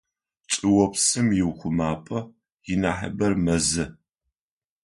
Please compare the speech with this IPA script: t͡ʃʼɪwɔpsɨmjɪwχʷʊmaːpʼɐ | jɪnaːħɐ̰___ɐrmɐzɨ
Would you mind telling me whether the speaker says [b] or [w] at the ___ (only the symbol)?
b